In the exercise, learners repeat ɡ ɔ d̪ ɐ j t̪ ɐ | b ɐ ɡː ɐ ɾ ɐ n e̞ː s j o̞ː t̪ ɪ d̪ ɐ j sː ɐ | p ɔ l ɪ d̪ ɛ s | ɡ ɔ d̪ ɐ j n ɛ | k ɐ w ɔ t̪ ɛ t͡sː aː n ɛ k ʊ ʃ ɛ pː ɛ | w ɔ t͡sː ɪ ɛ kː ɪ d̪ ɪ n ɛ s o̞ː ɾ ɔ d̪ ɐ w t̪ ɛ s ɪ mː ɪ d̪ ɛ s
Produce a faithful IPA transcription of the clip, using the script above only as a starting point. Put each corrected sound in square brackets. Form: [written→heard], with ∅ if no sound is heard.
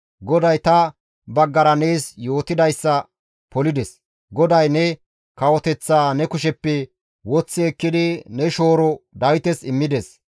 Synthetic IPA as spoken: ɡ ɔ d̪ ɐ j t̪ ɐ | b ɐ ɡː ɐ ɾ ɐ n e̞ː s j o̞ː t̪ ɪ d̪ ɐ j sː ɐ | p ɔ l ɪ d̪ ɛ s | ɡ ɔ d̪ ɐ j n ɛ | k ɐ w ɔ t̪ ɛ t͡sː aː n ɛ k ʊ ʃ ɛ pː ɛ | w ɔ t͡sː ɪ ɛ kː ɪ d̪ ɪ n ɛ [s→ʃ] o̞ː ɾ ɔ d̪ ɐ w t̪ ɛ s ɪ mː ɪ d̪ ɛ s

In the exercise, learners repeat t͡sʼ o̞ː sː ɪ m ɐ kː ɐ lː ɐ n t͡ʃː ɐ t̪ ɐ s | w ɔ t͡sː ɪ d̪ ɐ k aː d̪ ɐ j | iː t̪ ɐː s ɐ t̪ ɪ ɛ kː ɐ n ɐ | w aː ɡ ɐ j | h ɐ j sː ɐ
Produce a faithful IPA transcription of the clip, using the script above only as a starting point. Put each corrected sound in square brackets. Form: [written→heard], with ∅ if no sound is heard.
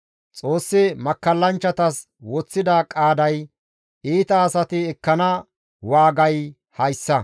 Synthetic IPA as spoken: t͡sʼ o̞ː sː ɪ m ɐ kː ɐ lː ɐ n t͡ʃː ɐ t̪ ɐ s | w ɔ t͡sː ɪ d̪ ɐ [k→kʼ] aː d̪ ɐ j | iː t̪ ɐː s ɐ t̪ ɪ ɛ kː ɐ n ɐ | w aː ɡ ɐ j | h ɐ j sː ɐ

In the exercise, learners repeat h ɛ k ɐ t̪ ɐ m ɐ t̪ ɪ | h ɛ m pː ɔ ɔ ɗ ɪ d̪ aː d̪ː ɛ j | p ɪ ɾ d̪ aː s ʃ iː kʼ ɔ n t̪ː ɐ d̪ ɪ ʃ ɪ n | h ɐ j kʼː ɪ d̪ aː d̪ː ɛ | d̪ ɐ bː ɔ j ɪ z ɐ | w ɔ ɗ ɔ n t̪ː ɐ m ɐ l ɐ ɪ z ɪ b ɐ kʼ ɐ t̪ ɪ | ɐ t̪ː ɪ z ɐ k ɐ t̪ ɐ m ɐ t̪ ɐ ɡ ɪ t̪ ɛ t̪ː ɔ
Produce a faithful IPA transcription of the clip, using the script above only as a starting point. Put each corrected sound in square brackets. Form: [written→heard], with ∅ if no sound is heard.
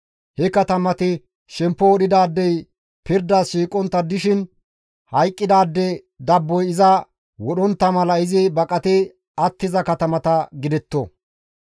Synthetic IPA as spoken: h ɛ k ɐ t̪ ɐ m ɐ t̪ ɪ | [h→ʃ] ɛ m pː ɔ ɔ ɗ ɪ d̪ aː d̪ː ɛ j | p ɪ ɾ d̪ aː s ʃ iː kʼ ɔ n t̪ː ɐ d̪ ɪ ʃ ɪ n | h ɐ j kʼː ɪ d̪ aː d̪ː ɛ | d̪ ɐ bː ɔ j ɪ z ɐ | w ɔ ɗ ɔ n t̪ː ɐ m ɐ l ɐ ɪ z ɪ b ɐ kʼ ɐ t̪ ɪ | ɐ t̪ː ɪ z ɐ k ɐ t̪ ɐ m ɐ t̪ ɐ ɡ ɪ [t̪→d̪] ɛ t̪ː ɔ

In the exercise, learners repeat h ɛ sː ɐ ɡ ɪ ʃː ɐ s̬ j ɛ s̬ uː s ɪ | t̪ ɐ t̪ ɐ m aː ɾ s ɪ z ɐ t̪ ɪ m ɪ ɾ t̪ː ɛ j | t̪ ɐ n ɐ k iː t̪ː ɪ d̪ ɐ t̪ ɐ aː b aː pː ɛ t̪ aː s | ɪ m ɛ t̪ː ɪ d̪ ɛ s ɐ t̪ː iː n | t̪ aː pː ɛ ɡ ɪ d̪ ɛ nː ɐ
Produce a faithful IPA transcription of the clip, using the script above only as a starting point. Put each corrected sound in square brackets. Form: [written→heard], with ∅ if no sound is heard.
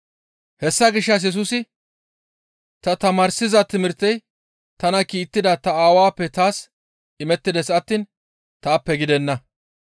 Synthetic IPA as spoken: h ɛ sː ɐ ɡ ɪ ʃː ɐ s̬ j ɛ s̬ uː s ɪ | t̪ ɐ t̪ ɐ m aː ɾ s ɪ z ɐ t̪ ɪ m ɪ ɾ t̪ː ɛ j | t̪ ɐ n ɐ k iː t̪ː ɪ d̪ ɐ t̪ ɐ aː [b→w] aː pː ɛ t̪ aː s | ɪ m ɛ t̪ː ɪ d̪ ɛ s ɐ t̪ː iː n | t̪ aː pː ɛ ɡ ɪ d̪ ɛ nː ɐ

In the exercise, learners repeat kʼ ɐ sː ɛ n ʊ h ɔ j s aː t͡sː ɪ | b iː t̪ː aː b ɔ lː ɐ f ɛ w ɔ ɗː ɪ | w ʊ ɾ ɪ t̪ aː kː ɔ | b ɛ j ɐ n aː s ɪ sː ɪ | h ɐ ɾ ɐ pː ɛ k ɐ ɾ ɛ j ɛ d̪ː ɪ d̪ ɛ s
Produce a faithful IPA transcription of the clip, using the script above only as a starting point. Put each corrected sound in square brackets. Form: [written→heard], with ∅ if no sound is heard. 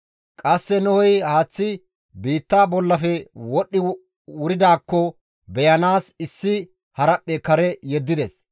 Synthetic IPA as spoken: kʼ ɐ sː ɛ n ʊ h ɔ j [s→h] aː t͡sː ɪ | b iː t̪ː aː b ɔ lː ɐ f ɛ w ɔ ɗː ɪ | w ʊ ɾ ɪ [t̪→d̪] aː kː ɔ | b ɛ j ɐ n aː s ɪ sː ɪ | h ɐ ɾ ɐ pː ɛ k ɐ ɾ ɛ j ɛ d̪ː ɪ d̪ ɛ s

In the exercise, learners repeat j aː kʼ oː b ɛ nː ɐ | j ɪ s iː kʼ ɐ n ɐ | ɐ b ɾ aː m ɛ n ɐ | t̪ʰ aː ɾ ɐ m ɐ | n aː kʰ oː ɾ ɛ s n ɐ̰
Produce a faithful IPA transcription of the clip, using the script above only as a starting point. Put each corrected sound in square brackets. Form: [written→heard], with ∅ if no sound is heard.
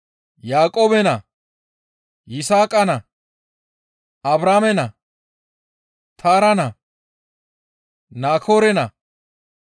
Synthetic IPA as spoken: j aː kʼ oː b ɛ [nː→n] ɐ | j ɪ s [iː→aː] kʼ ɐ n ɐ | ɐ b ɾ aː m ɛ n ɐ | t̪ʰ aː ɾ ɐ [m→n] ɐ | n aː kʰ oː ɾ ɛ [s→∅] n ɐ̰

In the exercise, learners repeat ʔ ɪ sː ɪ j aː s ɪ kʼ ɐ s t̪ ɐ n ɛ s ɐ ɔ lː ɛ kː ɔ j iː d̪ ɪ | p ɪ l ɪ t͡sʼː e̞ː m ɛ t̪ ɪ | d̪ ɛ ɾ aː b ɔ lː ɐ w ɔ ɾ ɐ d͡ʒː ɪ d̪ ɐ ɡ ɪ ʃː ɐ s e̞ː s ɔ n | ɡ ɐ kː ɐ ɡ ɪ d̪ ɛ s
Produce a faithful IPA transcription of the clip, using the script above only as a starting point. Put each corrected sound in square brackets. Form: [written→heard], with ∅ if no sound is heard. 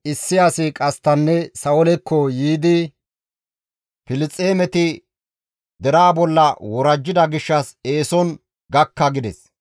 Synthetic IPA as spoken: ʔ ɪ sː ɪ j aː s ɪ kʼ ɐ s t̪ ɐ [n→nː] ɛ s ɐ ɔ [lː→l] ɛ kː ɔ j iː d̪ ɪ | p ɪ l ɪ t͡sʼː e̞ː m ɛ t̪ ɪ | d̪ ɛ ɾ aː b ɔ lː ɐ w ɔ ɾ ɐ d͡ʒː ɪ d̪ ɐ ɡ ɪ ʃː ɐ s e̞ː s ɔ n | ɡ ɐ kː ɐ ɡ ɪ d̪ ɛ s

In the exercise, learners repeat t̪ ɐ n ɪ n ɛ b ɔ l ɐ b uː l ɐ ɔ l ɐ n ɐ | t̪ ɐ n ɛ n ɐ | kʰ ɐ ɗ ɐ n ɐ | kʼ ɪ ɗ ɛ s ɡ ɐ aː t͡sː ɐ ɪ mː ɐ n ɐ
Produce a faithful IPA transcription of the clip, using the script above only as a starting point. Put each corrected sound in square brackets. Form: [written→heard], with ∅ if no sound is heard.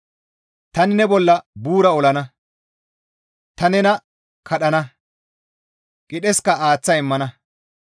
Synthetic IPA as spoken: t̪ ɐ n ɪ n ɛ b ɔ [l→lː] ɐ b uː [l→ɾ] ɐ ɔ l ɐ n ɐ | t̪ ɐ n ɛ n ɐ | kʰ ɐ ɗ ɐ n ɐ | kʼ ɪ ɗ ɛ s [ɡ→k] ɐ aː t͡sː ɐ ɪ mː ɐ n ɐ

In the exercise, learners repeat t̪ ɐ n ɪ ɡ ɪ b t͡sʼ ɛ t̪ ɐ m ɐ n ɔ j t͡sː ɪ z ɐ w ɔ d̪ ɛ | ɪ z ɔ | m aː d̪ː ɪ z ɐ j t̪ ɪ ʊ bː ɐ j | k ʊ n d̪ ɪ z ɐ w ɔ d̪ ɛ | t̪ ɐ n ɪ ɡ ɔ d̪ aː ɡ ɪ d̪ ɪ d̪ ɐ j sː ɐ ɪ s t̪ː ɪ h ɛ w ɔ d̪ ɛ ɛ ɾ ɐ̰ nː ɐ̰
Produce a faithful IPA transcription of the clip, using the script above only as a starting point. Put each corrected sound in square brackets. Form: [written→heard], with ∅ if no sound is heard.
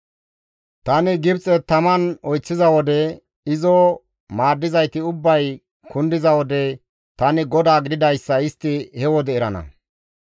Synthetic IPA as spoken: t̪ ɐ n ɪ ɡ ɪ b t͡sʼ ɛ t̪ ɐ m ɐ n ɔ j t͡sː ɪ z ɐ w ɔ d̪ ɛ | ɪ z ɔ | m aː d̪ː ɪ z ɐ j t̪ ɪ ʊ bː ɐ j | k ʊ n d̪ ɪ z ɐ w ɔ d̪ ɛ | t̪ ɐ n ɪ ɡ ɔ d̪ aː ɡ ɪ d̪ ɪ d̪ ɐ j sː ɐ ɪ s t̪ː ɪ h ɛ w ɔ d̪ ɛ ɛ ɾ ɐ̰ [nː→n] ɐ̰

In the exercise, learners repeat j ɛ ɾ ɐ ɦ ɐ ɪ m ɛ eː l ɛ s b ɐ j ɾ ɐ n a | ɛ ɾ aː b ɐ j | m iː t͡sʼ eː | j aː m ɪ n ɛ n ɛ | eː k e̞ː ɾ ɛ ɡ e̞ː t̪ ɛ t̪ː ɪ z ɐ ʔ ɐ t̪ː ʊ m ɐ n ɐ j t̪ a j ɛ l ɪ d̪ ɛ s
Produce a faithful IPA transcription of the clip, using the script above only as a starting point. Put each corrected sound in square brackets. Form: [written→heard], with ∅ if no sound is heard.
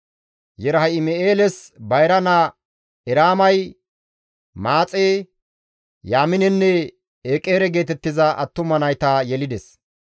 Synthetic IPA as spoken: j ɛ ɾ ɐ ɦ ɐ ɪ m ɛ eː l ɛ s b ɐ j ɾ ɐ n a | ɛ ɾ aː [b→m] ɐ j | m [iː→aː] t͡sʼ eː | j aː m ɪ n ɛ [n→nː] ɛ | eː [k→kʼ] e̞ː ɾ ɛ ɡ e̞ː t̪ ɛ t̪ː ɪ z ɐ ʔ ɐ t̪ː ʊ m ɐ n ɐ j t̪ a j ɛ l ɪ d̪ ɛ s

